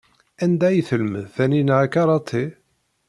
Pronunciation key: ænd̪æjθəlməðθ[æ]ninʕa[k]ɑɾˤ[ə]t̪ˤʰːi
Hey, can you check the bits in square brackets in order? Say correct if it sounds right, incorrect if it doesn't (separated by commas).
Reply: correct, correct, incorrect